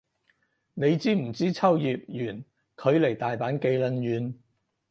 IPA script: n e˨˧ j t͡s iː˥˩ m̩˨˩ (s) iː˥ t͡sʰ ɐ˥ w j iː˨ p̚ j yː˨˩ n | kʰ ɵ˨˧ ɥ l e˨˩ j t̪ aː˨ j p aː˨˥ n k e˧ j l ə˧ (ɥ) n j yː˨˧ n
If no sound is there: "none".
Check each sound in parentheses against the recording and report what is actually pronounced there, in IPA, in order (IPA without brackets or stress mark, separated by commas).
t͡s, none